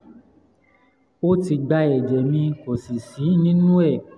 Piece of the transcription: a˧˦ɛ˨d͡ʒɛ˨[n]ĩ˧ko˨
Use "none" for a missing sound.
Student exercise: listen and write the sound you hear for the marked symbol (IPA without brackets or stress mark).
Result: m